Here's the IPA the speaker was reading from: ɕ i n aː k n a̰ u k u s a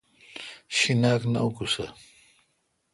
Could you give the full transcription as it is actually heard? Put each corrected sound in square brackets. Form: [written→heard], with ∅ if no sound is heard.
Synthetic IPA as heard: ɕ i n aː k n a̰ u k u s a

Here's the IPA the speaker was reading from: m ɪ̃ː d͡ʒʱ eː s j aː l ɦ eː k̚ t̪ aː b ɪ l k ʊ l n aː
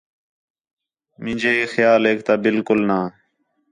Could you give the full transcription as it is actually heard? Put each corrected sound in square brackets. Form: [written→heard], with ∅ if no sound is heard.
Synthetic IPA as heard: m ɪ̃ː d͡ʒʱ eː [s→x] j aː l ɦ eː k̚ t̪ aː b ɪ l k ʊ l n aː

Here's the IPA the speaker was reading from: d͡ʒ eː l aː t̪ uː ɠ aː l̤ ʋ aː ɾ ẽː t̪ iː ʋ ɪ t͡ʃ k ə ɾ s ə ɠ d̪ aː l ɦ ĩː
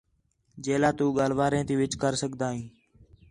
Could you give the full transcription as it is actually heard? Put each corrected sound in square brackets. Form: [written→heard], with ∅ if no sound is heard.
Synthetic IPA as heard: d͡ʒ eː l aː t̪ uː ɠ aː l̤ ʋ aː ɾ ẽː t̪ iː ʋ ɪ t͡ʃ k ə ɾ s ə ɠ d̪ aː [l→∅] ɦ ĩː

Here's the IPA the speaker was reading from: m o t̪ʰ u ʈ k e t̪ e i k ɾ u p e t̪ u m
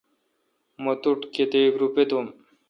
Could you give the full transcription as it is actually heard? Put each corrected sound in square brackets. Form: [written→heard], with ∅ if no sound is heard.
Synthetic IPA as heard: m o [t̪ʰ→t̪] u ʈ k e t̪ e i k ɾ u p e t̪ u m

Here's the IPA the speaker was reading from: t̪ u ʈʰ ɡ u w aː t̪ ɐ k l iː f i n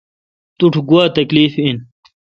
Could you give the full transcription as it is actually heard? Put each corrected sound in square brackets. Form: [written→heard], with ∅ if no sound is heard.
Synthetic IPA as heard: t̪ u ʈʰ ɡ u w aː t̪ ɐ k l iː f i n

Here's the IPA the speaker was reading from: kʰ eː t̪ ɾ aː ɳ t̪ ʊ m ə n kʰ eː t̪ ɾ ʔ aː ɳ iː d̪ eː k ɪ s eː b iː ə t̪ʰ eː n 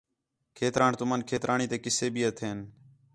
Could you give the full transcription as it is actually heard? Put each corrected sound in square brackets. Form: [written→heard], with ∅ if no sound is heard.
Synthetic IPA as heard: kʰ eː t̪ ɾ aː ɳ t̪ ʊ m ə n kʰ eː t̪ ɾ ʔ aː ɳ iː [d̪→t̪] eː k ɪ s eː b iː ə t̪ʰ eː n

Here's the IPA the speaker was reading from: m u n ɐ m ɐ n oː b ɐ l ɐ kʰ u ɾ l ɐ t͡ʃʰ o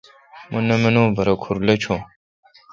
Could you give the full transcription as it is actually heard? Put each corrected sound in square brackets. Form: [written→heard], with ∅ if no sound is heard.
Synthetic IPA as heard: m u n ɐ m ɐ n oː b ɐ [l→ɾ] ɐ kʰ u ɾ l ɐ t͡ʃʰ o

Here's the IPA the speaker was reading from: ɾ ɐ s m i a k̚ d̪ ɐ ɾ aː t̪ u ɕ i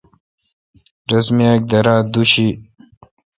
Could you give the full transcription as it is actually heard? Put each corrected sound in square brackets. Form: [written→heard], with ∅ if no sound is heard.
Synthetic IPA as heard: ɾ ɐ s m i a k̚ d̪ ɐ ɾ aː [t̪→d̪] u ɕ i

